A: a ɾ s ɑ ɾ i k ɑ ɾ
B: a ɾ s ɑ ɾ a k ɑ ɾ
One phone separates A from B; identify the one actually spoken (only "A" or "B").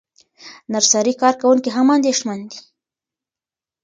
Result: A